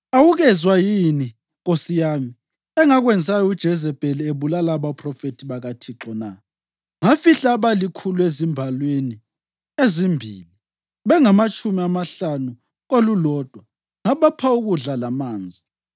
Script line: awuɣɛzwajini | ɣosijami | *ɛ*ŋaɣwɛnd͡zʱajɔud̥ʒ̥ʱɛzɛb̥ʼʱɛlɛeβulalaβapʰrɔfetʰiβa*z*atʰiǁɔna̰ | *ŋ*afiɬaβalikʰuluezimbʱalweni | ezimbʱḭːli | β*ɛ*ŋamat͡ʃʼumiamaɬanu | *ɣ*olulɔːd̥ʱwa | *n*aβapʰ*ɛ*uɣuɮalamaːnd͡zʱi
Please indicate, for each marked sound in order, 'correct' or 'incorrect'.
correct, incorrect: ɣ, correct, correct, correct, incorrect: ŋ, incorrect: a

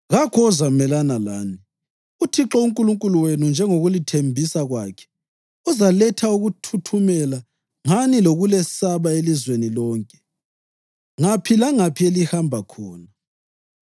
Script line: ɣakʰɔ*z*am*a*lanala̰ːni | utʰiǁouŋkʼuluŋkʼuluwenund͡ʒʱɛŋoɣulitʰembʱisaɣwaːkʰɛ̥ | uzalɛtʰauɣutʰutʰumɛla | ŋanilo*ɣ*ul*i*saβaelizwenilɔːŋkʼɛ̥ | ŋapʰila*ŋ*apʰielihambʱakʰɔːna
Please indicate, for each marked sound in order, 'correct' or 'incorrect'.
correct, incorrect: ɛ, correct, incorrect: ɛ, correct

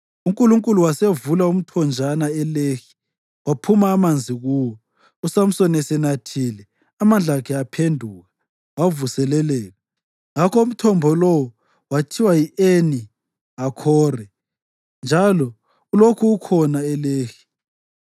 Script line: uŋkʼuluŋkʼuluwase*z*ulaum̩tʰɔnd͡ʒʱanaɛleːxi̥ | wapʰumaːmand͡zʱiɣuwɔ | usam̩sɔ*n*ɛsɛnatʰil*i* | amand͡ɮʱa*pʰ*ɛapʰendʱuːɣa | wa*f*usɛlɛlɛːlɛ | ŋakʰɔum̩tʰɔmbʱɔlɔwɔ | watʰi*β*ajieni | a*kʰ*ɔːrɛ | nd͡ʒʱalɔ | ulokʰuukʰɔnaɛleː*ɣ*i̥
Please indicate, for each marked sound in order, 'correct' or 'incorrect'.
incorrect: v, correct, incorrect: ɛ, incorrect: kʰ, incorrect: v, incorrect: w, correct, incorrect: x

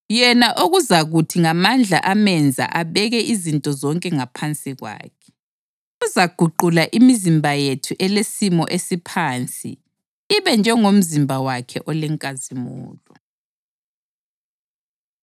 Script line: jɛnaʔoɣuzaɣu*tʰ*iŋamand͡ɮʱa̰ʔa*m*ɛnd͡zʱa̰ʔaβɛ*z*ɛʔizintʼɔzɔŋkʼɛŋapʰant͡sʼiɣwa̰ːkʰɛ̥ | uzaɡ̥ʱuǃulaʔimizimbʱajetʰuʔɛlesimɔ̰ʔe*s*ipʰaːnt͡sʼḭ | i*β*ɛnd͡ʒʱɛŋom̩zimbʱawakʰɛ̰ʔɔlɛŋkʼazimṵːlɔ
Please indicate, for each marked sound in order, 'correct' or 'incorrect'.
correct, correct, incorrect: ɣ, correct, correct

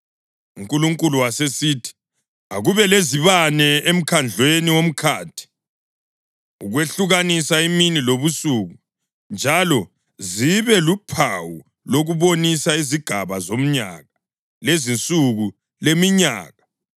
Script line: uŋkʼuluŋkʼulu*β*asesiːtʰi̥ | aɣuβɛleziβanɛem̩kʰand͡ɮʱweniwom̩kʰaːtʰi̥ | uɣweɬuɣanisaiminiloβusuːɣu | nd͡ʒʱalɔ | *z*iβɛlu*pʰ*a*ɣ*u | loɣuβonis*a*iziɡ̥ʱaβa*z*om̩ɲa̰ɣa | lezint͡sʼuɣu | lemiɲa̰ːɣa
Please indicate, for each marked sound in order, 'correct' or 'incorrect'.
incorrect: w, correct, correct, incorrect: w, correct, correct

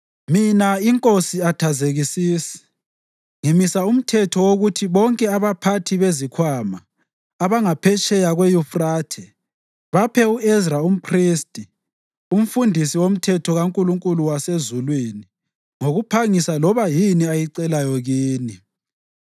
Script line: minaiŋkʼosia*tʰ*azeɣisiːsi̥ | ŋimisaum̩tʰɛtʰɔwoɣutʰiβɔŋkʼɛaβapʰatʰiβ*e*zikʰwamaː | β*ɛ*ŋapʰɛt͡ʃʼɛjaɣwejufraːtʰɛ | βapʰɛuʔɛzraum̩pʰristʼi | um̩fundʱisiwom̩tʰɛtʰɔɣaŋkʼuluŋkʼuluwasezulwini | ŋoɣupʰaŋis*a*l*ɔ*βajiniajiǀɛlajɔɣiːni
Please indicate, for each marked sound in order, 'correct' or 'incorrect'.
correct, correct, incorrect: a, correct, correct

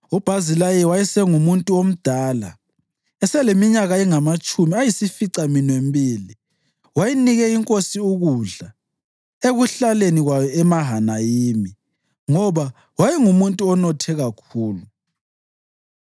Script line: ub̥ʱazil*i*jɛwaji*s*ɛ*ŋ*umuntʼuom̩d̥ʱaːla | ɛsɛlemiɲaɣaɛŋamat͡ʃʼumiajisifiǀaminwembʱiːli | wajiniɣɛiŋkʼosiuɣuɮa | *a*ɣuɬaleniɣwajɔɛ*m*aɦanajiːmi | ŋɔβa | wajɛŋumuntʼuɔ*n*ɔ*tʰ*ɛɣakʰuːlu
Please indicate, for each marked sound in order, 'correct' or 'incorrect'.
incorrect: a, correct, correct, incorrect: e, correct, correct, correct

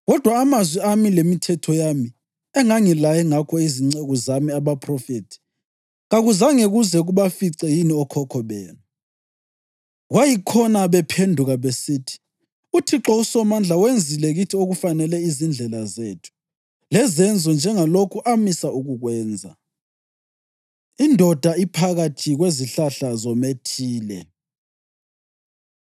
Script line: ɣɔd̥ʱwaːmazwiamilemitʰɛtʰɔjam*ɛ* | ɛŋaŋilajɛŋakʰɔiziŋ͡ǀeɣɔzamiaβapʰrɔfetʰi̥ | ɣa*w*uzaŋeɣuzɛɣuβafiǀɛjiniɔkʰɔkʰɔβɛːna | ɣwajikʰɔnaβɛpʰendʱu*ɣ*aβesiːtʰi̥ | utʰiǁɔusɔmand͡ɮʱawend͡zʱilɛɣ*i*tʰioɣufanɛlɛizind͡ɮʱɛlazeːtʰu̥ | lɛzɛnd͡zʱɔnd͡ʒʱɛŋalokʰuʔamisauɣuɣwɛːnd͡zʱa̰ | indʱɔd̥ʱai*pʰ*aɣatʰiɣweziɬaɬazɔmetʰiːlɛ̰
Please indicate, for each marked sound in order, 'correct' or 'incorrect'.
incorrect: i, incorrect: ɣ, correct, correct, correct

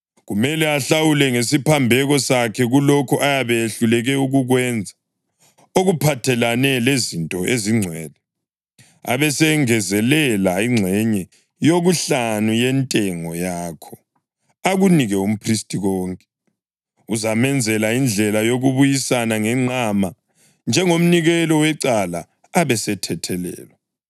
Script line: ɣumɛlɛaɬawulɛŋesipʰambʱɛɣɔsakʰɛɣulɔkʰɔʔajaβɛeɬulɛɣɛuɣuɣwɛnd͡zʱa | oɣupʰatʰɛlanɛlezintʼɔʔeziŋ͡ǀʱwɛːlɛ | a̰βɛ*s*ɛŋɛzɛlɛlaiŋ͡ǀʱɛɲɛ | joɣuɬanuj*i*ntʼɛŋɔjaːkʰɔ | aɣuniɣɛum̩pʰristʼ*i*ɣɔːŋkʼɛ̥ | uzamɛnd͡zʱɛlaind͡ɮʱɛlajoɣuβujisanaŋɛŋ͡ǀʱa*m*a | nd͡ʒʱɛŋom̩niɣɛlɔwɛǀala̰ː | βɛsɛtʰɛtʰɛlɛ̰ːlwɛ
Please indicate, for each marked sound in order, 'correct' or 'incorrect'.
correct, incorrect: ɛ, correct, correct

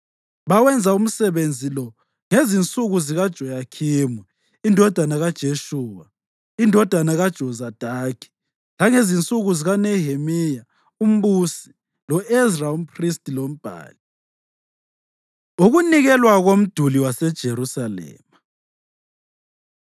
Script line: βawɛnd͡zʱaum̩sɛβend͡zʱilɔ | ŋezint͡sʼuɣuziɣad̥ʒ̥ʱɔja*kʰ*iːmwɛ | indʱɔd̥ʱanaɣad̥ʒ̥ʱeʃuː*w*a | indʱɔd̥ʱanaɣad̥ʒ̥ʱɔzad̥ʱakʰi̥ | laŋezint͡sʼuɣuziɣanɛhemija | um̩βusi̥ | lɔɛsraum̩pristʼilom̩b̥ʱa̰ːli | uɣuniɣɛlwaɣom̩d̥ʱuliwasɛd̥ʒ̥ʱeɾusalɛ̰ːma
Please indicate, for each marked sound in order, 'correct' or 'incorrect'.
correct, correct

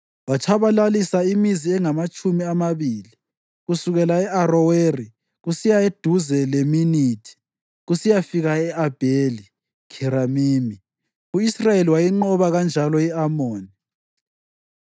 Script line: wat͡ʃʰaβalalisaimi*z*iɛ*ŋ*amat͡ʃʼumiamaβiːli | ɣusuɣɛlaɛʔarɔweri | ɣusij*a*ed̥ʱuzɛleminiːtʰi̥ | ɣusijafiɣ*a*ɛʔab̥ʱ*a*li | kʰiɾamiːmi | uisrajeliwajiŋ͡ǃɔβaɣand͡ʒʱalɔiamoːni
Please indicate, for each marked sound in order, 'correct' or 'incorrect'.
correct, correct, correct, correct, incorrect: e

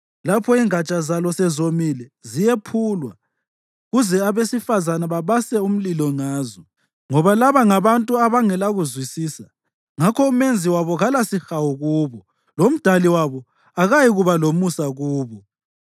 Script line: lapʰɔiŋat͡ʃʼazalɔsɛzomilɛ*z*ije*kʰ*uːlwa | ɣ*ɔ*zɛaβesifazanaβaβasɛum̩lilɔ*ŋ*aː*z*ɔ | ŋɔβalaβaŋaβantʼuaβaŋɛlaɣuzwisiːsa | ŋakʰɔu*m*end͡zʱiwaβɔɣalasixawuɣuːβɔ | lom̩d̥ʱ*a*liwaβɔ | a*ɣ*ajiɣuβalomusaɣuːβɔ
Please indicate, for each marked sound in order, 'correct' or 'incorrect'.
correct, incorrect: pʰ, incorrect: u, correct, correct, correct, correct, correct

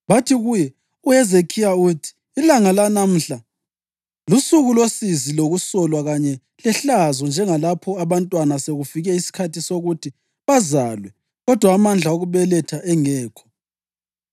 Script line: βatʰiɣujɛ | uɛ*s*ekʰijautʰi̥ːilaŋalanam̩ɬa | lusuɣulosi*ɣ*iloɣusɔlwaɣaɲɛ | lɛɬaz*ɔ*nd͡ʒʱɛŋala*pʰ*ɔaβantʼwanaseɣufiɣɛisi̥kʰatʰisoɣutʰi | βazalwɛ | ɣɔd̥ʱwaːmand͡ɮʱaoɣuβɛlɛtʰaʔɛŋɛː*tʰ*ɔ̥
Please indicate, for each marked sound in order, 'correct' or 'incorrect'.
incorrect: z, incorrect: z, correct, correct, incorrect: kʰ

